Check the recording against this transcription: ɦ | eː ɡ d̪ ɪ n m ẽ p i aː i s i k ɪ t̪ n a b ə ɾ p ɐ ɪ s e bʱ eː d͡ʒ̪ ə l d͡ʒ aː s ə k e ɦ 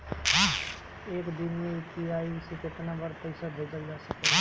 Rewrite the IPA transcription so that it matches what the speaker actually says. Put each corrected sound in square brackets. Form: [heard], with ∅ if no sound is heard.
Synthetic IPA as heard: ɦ | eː [k] d̪ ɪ n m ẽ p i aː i s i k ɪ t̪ n a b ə ɾ p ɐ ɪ s [a] bʱ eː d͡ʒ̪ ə l d͡ʒ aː s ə k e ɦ